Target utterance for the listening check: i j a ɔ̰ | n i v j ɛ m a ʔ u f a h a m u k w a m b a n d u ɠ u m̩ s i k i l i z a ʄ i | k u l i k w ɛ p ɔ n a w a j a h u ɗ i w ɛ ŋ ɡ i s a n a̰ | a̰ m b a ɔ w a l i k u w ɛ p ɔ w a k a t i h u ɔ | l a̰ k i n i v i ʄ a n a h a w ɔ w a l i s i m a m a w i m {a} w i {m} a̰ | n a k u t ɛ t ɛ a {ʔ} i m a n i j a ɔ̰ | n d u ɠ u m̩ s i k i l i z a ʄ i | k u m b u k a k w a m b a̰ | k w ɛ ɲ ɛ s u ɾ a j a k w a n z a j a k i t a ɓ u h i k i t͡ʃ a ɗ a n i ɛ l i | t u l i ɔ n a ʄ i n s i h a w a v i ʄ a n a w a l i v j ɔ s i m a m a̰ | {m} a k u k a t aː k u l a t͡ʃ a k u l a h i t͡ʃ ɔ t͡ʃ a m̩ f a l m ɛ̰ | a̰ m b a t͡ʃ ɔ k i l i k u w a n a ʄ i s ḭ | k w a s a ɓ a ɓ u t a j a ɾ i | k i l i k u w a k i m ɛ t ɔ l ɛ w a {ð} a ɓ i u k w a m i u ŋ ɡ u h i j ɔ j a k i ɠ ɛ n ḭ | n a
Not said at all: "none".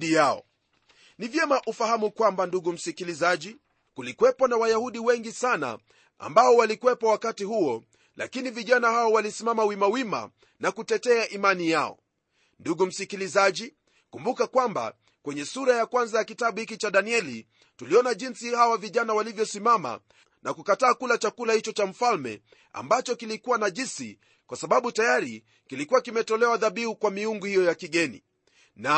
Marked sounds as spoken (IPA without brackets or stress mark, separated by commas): a, m, ʔ, n, ð